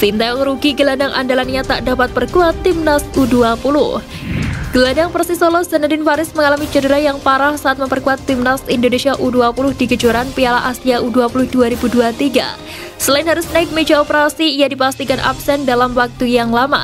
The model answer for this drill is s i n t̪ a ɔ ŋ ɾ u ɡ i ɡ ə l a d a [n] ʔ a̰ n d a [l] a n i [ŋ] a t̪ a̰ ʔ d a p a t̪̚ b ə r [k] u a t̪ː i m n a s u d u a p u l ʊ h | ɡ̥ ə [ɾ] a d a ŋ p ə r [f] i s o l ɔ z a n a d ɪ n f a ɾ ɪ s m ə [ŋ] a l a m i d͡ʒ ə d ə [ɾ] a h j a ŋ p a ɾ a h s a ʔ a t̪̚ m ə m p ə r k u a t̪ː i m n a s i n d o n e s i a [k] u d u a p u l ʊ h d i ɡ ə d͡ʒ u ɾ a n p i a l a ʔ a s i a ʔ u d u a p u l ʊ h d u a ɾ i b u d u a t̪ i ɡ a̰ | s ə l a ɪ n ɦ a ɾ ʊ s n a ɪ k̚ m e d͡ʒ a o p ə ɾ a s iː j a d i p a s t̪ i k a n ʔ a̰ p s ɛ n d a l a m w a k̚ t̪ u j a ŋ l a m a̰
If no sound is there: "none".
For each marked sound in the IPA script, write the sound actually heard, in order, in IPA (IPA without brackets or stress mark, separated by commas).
ŋ, l, ɲ, k, l, s, ŋ, ɾ, ʔ